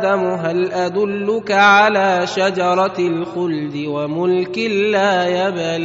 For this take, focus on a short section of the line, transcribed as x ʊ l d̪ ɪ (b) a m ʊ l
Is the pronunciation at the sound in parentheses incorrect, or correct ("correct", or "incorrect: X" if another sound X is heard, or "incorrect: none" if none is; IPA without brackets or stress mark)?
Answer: incorrect: w